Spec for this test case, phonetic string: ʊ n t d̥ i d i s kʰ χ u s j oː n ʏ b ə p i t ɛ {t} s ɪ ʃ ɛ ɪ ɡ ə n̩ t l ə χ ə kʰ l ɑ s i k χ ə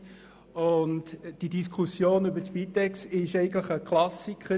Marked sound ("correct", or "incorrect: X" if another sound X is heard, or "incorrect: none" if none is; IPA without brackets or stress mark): incorrect: k